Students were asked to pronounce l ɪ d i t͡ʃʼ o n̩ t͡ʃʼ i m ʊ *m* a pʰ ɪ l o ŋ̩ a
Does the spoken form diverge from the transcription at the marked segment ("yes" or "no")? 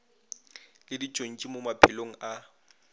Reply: no